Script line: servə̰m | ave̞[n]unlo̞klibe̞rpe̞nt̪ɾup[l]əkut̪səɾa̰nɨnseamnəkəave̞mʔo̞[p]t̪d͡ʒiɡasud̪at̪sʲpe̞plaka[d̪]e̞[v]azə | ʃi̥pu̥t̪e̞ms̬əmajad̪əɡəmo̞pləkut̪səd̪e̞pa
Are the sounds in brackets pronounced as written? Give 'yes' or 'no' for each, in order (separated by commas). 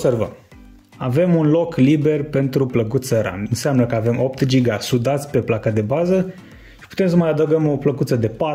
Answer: no, yes, yes, yes, no